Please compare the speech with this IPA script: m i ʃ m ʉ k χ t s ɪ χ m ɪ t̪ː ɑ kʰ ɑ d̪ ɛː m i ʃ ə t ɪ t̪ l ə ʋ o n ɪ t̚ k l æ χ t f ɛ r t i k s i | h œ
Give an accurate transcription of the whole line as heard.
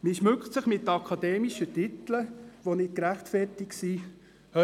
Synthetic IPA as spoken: m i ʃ m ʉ k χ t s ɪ χ m ɪ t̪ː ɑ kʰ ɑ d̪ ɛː m i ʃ ə t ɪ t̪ l ə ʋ o n ɪ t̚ k ɾ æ χ t f ɛ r t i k s i | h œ